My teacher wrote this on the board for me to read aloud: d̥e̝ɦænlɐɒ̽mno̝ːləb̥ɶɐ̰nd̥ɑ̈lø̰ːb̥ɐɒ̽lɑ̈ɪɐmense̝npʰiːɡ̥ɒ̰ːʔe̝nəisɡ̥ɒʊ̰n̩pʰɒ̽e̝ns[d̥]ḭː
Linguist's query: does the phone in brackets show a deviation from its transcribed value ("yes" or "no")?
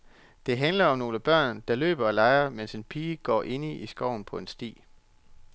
no